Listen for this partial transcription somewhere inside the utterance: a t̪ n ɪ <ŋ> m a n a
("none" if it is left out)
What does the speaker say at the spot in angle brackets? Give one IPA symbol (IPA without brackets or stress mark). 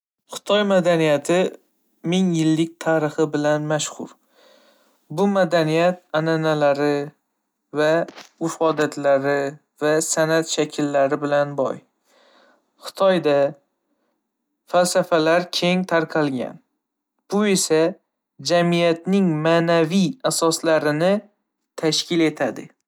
ŋ